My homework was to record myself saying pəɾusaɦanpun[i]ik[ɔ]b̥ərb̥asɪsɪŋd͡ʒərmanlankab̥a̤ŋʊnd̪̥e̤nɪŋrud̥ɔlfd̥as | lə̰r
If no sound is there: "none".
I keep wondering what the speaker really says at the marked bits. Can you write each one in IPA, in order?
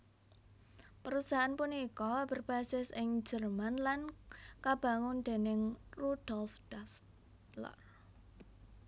i, ɔ

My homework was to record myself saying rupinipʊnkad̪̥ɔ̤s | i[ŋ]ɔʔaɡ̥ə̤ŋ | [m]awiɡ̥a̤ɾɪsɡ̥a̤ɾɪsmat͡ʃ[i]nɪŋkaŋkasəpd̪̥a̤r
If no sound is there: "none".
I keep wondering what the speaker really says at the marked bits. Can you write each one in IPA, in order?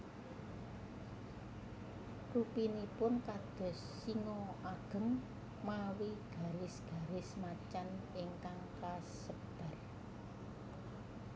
ŋ, m, a

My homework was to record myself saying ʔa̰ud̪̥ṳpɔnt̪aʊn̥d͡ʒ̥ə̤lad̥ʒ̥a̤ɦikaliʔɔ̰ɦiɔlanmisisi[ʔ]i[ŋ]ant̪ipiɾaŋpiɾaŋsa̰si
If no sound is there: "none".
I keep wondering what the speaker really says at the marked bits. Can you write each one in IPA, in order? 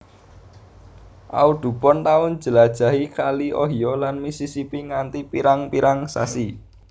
p, ŋ

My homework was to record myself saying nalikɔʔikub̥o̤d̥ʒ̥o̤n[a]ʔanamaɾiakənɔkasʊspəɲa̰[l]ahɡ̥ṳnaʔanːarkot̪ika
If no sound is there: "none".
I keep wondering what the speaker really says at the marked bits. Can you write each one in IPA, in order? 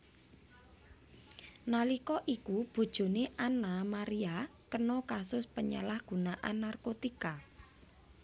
e, l

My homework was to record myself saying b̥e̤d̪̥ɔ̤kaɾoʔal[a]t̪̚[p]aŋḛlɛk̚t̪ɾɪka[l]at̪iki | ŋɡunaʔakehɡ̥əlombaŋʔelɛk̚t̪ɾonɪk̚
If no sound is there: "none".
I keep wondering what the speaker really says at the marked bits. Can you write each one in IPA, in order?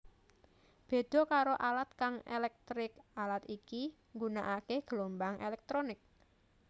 a, k, l

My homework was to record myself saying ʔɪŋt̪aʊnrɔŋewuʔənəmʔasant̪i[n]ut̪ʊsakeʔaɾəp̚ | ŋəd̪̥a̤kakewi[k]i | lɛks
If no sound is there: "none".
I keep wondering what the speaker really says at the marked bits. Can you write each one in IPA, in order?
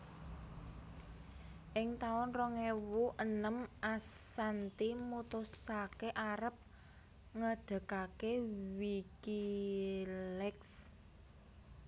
m, k

